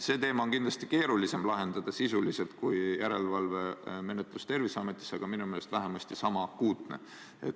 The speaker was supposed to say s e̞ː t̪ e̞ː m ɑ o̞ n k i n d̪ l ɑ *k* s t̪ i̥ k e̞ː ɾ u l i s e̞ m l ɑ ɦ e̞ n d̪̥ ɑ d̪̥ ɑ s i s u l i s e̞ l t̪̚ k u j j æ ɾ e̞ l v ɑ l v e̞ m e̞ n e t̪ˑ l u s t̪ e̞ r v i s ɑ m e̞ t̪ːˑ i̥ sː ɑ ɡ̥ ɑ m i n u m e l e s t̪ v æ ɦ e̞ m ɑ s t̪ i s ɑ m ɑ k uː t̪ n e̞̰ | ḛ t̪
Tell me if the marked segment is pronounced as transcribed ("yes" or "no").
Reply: no